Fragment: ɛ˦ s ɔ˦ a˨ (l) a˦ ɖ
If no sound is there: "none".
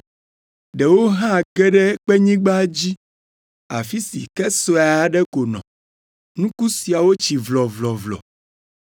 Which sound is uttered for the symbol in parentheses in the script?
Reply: none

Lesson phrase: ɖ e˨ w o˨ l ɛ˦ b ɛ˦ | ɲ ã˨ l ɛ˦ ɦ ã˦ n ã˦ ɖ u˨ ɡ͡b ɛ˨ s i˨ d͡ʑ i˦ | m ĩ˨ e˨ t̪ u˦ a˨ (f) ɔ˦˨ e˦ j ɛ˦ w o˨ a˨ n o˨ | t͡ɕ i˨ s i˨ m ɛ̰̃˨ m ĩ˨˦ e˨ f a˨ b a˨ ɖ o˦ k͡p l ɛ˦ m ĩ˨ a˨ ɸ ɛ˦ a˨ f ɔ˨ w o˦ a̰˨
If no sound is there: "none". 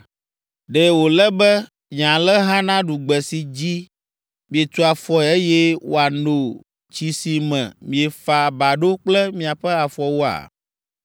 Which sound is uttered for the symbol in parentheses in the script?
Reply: f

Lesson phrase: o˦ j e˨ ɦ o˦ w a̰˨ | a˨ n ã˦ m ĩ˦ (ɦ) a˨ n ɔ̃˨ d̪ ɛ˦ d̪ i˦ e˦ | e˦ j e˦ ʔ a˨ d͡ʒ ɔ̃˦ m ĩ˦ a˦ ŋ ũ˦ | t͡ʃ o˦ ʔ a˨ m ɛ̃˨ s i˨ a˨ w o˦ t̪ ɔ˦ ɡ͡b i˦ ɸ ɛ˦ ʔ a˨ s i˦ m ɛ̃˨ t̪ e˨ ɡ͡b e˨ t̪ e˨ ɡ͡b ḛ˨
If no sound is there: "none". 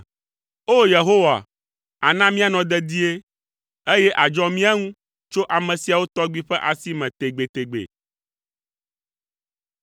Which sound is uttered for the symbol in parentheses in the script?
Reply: none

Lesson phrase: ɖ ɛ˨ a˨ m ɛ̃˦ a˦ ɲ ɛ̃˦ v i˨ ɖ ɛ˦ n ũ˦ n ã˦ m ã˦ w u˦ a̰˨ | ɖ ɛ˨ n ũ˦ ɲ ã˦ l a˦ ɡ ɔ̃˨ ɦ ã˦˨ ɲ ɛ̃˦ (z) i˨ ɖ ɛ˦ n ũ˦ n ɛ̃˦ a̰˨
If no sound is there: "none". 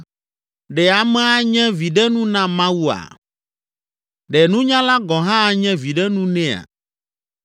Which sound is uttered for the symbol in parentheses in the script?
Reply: v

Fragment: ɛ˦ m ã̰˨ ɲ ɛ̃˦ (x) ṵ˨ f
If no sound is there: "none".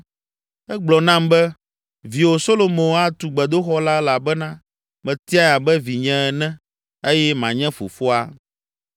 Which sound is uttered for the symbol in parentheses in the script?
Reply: f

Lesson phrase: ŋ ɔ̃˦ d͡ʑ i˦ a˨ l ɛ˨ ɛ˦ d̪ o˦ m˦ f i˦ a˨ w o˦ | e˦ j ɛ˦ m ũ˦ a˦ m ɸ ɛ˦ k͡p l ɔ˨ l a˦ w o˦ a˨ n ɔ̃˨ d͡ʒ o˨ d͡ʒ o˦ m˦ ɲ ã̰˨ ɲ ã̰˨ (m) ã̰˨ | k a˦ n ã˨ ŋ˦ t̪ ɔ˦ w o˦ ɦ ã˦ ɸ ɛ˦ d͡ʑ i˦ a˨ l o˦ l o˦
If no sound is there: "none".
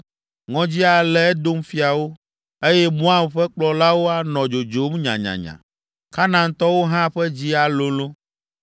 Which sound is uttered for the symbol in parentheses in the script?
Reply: ɲ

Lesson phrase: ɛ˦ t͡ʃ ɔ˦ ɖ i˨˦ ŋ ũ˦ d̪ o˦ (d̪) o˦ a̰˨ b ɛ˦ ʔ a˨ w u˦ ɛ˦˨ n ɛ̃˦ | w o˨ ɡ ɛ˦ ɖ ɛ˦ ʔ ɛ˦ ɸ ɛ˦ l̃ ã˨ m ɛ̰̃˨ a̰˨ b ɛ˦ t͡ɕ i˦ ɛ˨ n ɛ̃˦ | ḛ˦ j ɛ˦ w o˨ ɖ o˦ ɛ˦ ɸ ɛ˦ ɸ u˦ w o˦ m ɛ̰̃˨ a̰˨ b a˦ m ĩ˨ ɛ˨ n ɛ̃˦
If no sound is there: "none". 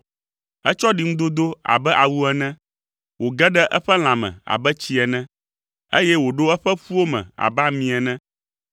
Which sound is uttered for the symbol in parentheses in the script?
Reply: d̪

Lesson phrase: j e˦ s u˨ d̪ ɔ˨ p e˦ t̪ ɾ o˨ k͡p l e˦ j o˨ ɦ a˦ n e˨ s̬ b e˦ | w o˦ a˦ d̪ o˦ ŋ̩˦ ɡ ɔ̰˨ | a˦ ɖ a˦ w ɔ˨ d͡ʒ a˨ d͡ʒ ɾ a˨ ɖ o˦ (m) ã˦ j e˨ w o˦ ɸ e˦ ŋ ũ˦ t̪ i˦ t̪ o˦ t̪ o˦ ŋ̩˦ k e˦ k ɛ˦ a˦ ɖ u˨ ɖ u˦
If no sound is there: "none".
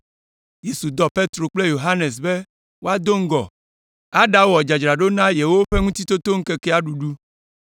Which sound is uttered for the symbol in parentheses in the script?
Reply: n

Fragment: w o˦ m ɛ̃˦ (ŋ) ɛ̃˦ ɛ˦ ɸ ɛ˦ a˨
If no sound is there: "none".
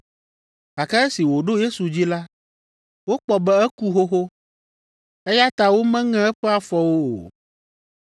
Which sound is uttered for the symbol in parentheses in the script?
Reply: ŋ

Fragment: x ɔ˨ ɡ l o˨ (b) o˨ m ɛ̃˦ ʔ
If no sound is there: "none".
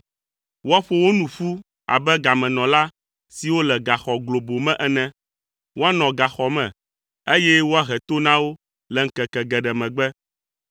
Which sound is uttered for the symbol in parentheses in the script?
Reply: b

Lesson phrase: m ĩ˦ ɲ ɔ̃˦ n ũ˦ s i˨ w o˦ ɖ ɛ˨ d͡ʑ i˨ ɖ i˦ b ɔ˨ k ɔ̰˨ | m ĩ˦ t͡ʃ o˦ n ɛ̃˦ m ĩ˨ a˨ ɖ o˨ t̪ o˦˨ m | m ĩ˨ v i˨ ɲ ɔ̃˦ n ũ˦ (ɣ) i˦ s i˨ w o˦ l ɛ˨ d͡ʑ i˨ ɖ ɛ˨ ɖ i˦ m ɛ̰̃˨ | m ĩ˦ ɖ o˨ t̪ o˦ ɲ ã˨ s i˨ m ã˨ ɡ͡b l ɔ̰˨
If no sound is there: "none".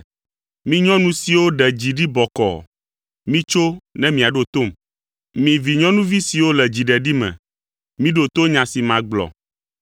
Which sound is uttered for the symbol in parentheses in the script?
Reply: v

